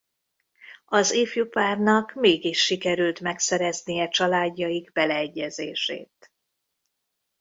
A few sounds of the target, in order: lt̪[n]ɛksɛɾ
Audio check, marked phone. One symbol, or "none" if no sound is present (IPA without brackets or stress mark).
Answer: m